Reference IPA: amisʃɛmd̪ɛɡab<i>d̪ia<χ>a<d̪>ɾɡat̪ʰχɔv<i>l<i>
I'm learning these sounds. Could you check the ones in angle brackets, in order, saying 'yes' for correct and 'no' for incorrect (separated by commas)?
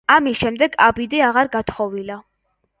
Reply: yes, no, no, yes, no